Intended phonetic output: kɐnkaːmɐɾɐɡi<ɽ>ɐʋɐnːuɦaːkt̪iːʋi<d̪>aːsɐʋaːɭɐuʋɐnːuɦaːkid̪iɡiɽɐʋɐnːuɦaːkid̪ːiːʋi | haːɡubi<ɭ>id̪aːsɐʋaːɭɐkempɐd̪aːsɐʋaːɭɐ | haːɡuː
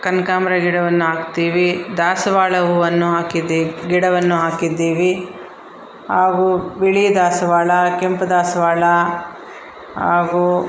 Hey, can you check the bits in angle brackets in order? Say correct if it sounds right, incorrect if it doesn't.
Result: correct, correct, correct

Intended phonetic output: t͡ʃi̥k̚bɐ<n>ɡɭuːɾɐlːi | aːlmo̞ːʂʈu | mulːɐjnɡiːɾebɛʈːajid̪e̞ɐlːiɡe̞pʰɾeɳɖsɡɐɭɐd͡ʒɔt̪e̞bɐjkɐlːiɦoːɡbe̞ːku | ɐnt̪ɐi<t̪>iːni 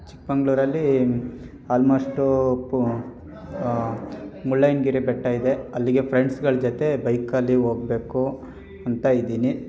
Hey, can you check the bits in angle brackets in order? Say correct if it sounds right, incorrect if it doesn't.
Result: incorrect: ŋ, incorrect: d̪

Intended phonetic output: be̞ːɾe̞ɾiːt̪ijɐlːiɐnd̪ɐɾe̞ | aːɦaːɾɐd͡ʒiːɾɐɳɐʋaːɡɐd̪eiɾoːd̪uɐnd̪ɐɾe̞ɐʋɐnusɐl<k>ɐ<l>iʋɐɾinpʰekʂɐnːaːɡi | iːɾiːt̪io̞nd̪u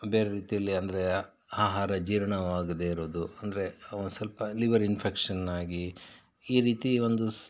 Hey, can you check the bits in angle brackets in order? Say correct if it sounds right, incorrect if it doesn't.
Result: incorrect: p, correct

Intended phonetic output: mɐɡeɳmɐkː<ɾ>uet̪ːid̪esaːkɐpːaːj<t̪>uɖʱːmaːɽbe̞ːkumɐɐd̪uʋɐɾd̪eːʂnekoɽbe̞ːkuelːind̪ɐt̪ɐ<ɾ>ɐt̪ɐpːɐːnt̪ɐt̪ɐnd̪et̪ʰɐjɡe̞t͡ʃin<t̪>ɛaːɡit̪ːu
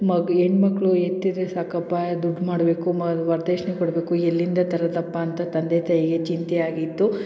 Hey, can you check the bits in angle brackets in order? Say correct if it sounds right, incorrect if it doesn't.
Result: incorrect: ɭ, incorrect: d̪, correct, correct

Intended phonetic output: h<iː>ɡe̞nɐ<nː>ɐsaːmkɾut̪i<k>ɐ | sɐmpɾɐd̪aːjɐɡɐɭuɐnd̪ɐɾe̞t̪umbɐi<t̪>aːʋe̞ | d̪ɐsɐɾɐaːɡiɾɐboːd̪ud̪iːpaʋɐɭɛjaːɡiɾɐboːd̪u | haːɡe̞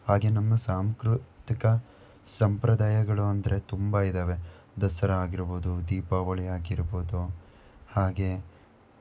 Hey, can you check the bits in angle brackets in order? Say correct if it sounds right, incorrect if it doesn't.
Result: incorrect: aː, incorrect: mː, correct, incorrect: d̪

